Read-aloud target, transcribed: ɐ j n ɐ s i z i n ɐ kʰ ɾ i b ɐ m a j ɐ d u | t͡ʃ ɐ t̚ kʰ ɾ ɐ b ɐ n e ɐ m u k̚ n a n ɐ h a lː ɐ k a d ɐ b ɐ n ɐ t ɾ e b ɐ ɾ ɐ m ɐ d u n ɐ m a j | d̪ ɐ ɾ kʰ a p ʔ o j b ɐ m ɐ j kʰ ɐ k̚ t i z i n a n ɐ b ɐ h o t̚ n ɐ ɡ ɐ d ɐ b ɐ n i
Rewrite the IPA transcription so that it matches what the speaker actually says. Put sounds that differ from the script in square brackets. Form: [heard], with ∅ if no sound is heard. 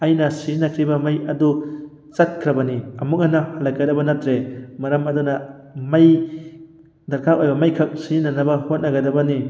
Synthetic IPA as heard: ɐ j n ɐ s i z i n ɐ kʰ ɾ i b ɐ m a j ɐ d u | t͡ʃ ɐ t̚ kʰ ɾ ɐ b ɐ n [i] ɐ m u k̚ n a n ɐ h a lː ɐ k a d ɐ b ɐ n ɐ t ɾ e [m] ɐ ɾ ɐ m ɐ d u n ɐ m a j | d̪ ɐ ɾ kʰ a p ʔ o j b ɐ m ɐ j kʰ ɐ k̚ [s] i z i n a n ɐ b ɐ h o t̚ n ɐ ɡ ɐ d ɐ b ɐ n i